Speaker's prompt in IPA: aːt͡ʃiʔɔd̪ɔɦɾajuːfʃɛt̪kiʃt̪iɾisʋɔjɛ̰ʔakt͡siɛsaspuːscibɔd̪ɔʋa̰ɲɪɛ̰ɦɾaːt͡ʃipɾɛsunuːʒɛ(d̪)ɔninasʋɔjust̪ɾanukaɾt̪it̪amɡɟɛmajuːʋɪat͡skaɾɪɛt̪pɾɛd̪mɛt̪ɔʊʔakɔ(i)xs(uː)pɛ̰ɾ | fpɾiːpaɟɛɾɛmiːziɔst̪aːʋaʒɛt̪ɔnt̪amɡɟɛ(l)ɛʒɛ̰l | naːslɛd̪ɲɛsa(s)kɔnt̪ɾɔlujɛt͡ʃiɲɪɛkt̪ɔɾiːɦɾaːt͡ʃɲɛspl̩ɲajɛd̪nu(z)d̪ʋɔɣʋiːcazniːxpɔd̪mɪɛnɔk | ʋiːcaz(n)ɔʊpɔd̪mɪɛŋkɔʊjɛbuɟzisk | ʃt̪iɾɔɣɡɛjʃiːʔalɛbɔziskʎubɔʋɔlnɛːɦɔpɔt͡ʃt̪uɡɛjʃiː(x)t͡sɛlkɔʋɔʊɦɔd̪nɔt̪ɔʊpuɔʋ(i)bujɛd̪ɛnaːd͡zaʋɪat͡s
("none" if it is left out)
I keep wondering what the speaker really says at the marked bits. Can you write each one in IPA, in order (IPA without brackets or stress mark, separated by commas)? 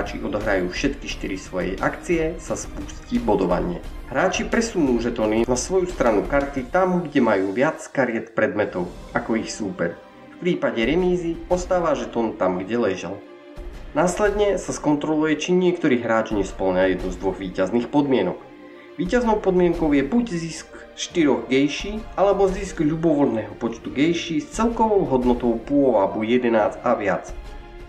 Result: t̪, i, uː, l, s, z, n, s, a